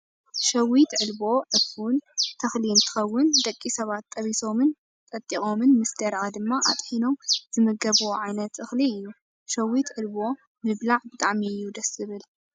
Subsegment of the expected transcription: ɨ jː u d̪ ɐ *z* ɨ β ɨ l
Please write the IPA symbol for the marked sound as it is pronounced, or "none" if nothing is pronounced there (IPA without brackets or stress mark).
s